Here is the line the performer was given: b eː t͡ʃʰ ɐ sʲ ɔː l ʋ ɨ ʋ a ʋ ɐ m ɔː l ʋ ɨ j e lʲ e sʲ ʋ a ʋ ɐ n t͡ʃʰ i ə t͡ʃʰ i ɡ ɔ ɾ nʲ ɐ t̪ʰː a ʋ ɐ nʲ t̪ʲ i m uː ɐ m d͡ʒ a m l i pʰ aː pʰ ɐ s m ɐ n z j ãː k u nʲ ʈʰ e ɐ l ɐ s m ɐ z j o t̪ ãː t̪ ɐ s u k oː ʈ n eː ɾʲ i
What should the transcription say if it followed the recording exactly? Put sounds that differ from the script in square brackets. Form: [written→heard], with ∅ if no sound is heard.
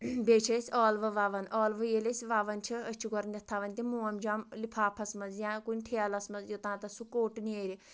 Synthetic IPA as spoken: b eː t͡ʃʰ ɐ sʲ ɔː l ʋ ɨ ʋ a ʋ ɐ [m→n] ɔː l ʋ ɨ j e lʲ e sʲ ʋ a ʋ ɐ n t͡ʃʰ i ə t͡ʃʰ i ɡ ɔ ɾ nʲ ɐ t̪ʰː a ʋ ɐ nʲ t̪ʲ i m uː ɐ m d͡ʒ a m l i pʰ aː pʰ ɐ s m ɐ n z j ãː k u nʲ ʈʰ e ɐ l ɐ s m ɐ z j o t̪ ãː t̪ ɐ s u k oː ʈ n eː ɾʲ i

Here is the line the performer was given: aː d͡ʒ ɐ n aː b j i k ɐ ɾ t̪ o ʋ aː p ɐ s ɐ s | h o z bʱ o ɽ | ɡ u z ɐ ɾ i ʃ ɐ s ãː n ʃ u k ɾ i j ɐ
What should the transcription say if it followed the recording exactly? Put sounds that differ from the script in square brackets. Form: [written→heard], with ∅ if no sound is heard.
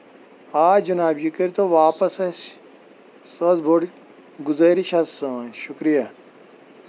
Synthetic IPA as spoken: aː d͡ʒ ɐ n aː b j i k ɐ ɾ t̪ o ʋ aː p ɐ s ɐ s | [h→s] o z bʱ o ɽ | ɡ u z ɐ ɾ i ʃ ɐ s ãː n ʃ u k ɾ i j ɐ

